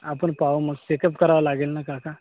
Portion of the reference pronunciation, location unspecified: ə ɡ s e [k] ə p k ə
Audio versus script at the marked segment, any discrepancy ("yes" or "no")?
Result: no